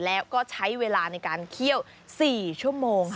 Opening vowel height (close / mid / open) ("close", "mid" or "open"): mid